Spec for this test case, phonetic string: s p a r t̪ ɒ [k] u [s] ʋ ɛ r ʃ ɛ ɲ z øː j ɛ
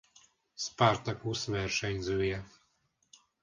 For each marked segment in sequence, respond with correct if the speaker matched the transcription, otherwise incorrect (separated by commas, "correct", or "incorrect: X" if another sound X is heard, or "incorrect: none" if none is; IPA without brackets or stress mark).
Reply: correct, correct